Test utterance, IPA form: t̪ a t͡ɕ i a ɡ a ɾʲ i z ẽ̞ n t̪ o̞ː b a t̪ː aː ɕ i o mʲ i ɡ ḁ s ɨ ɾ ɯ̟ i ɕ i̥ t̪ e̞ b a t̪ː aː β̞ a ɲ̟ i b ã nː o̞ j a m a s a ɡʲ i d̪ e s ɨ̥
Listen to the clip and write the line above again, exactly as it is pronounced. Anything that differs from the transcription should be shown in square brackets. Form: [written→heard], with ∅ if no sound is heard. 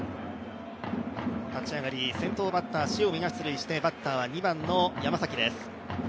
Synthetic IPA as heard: t̪ a t͡ɕ i a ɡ a ɾʲ i [z→s] ẽ̞ n t̪ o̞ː b a t̪ː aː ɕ i o mʲ i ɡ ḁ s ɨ ɾ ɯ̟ i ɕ i̥ t̪ e̞ b a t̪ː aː β̞ a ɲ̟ i b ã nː o̞ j a m a s a [ɡʲ→kʲ] i d̪ e s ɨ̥

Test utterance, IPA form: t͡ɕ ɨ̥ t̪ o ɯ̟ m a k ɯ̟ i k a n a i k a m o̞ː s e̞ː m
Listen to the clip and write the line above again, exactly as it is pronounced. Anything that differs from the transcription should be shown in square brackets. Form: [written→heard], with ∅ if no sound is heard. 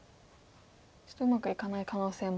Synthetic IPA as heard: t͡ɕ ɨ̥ t̪ o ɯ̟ m a k ɯ̟ i k a n a i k a [m→n] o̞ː s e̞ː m

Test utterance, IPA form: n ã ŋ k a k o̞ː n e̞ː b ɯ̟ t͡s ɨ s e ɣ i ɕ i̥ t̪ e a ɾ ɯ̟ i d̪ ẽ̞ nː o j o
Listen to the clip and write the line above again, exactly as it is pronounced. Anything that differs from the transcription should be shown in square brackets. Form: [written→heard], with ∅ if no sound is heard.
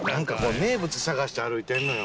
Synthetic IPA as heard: n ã ŋ k a k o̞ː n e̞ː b ɯ̟ t͡s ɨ s [e→a] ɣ [i→a] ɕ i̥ t̪ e a ɾ ɯ̟ i [d̪→t̪] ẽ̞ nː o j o

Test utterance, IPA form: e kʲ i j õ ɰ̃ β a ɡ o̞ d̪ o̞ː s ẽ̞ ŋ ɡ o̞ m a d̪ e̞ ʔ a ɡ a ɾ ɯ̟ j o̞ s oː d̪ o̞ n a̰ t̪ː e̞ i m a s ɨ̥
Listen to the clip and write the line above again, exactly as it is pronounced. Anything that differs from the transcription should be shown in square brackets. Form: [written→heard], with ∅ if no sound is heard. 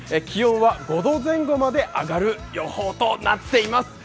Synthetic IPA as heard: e kʲ i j õ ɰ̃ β a ɡ o̞ d̪ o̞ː [s→z] ẽ̞ ŋ ɡ o̞ m a d̪ e̞ ʔ a ɡ a ɾ ɯ̟ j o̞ [s→h] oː [d̪→t̪] o̞ n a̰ t̪ː e̞ i m a s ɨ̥

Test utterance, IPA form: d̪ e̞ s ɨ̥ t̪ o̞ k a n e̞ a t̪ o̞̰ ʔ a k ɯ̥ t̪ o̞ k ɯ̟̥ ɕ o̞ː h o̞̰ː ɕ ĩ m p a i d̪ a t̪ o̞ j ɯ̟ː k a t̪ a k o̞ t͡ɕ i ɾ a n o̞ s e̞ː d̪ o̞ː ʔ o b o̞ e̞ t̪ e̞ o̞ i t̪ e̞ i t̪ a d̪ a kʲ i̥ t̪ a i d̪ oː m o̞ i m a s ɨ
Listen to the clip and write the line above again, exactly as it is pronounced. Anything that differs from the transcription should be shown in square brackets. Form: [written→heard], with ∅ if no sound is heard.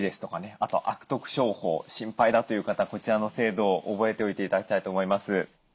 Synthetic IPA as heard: d̪ e̞ s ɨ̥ t̪ o̞ k a n e̞ a t̪ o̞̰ ʔ a k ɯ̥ t̪ o̞ k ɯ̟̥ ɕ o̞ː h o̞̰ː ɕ ĩ m p a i d̪ a t̪ o̞ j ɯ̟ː k a t̪ a k o̞ t͡ɕ i ɾ a n o̞ s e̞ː d̪ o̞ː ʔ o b o̞ e̞ t̪ e̞ o̞ i t̪ e̞ i t̪ a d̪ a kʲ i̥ t̪ a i [d̪→t̪] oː m o̞ i m a s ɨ

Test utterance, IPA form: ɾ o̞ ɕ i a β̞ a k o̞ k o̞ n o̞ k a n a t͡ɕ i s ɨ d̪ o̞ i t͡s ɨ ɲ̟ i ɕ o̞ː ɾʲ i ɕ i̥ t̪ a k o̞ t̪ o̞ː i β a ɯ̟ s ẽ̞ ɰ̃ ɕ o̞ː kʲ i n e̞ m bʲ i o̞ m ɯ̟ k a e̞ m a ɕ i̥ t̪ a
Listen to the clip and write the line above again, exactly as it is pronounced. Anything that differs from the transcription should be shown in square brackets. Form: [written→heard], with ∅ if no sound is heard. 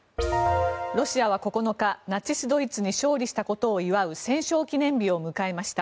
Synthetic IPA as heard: ɾ o̞ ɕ i a β̞ a k o̞ k o̞ n o̞ k a n a t͡ɕ i s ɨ d̪ o̞ i t͡s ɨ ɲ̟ i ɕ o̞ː ɾʲ i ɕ i̥ t̪ a k o̞ t̪ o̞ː i β a ɯ̟ s ẽ̞ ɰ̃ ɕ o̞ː kʲ i n [e̞→ẽ̞] m bʲ i o̞ m ɯ̟ k a e̞ m a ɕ i̥ t̪ a

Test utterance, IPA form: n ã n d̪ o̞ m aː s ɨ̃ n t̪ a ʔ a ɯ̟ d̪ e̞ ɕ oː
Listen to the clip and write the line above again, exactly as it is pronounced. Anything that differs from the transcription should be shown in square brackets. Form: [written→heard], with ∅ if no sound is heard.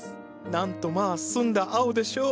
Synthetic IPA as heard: n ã n [d̪→t̪] o̞ m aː s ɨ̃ n [t̪→d̪] a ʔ a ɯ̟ d̪ e̞ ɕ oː

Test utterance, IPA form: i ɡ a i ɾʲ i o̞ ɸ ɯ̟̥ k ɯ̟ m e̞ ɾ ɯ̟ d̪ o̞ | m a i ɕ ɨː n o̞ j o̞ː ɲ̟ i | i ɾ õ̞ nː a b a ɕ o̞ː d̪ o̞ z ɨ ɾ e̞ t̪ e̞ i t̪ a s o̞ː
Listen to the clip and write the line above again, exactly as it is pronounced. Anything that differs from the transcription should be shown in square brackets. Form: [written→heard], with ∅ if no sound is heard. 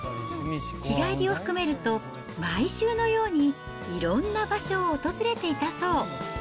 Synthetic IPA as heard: i ɡ a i ɾʲ i o̞ ɸ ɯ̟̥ k ɯ̟ m e̞ ɾ ɯ̟ [d̪→t̪] o̞ | m a i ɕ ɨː n o̞ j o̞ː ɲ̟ i | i ɾ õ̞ nː a b a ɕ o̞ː [d̪→t̪] o̞ z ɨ ɾ e̞ t̪ e̞ i t̪ a s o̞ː

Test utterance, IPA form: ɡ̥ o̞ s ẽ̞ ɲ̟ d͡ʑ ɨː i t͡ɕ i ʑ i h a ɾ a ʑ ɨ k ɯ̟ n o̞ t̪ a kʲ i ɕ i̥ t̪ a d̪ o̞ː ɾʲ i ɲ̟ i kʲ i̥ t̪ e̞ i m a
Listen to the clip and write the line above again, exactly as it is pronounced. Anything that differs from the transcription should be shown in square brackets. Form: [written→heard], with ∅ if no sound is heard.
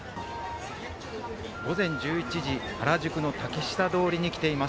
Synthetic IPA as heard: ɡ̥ o̞ [s→z] ẽ̞ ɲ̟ d͡ʑ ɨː i t͡ɕ i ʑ i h a ɾ a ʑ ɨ k ɯ̟ n o̞ t̪ a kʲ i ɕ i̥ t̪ a d̪ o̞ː ɾʲ i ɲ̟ i kʲ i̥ t̪ e̞ i m a

